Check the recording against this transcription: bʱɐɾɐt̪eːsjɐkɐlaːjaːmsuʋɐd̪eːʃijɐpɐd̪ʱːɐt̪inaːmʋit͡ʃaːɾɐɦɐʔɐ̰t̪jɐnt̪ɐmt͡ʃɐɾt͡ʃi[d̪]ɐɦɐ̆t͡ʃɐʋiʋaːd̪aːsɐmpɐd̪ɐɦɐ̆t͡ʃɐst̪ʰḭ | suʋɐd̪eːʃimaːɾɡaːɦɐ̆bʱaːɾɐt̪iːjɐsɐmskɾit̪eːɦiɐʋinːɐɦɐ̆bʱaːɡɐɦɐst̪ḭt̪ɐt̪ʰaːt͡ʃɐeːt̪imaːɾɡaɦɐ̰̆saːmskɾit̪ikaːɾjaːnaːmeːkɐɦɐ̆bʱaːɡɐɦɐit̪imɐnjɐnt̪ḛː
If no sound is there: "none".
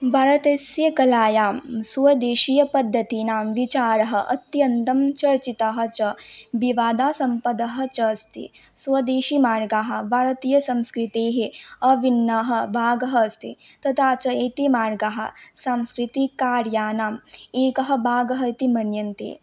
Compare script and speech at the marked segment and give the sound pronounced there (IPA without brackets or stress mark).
t̪